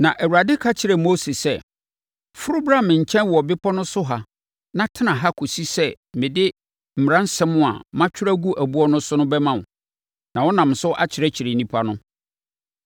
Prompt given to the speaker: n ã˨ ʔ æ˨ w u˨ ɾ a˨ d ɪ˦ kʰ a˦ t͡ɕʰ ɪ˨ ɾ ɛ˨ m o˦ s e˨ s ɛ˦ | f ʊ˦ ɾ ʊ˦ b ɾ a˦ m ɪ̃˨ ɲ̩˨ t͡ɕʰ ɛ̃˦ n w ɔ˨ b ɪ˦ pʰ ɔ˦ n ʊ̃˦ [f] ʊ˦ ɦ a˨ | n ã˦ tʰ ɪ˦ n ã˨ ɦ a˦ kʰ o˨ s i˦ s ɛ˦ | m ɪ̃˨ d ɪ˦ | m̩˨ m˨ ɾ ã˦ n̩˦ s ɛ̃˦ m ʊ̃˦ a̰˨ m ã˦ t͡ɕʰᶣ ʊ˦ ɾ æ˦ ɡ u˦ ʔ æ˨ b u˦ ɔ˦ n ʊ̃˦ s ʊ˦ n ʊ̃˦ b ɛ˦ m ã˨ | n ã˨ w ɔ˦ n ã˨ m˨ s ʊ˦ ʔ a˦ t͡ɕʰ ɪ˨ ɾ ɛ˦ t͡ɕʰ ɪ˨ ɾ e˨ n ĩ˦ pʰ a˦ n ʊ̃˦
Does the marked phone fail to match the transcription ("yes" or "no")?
yes